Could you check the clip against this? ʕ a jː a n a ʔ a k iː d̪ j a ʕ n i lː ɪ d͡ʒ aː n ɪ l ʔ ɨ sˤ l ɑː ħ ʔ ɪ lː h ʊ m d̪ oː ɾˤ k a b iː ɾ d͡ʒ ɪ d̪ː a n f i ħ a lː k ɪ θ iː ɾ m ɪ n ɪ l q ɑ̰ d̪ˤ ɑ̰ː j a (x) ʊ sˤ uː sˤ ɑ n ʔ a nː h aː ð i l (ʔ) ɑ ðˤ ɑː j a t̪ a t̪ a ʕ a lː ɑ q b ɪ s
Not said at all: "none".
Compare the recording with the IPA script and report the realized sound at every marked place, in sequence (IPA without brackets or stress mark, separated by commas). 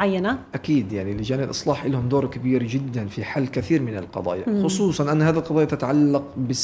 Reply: x, q